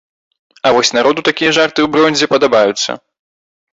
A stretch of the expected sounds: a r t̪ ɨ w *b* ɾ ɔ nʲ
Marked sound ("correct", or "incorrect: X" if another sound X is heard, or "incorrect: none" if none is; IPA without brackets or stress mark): correct